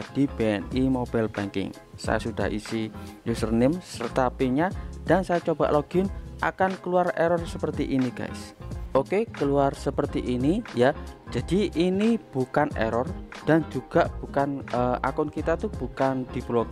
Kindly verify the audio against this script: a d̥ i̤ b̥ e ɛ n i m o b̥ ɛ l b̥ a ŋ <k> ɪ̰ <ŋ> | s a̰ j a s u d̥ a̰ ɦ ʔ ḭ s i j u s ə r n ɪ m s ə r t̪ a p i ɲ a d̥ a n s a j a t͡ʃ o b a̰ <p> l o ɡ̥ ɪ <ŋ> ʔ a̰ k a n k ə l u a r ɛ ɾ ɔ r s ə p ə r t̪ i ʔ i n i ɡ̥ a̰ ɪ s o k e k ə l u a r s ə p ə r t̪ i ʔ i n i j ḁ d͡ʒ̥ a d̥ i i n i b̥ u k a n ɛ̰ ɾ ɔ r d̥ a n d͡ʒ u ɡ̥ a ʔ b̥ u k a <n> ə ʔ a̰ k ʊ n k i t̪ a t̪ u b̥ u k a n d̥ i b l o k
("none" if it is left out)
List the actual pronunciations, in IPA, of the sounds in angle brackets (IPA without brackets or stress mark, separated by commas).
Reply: k, ŋ, ʔ, n, n